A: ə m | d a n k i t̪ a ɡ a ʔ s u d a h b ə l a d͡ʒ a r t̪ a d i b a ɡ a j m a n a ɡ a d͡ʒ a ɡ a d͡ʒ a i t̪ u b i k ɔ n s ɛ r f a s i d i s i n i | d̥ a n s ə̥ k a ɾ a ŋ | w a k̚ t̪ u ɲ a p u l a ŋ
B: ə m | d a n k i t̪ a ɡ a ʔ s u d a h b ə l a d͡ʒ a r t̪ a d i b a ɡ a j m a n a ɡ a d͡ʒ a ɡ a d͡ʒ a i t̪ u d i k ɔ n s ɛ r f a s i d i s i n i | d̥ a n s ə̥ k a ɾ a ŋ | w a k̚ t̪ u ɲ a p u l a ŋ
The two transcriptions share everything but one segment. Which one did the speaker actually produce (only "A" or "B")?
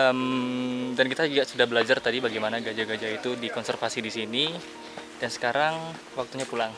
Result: B